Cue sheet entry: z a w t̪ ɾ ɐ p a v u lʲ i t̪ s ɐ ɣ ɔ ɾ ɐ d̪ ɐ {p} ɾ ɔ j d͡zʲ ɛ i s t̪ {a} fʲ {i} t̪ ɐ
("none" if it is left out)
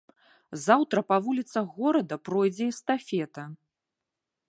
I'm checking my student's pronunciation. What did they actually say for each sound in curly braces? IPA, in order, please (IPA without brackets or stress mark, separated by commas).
p, a, ɛ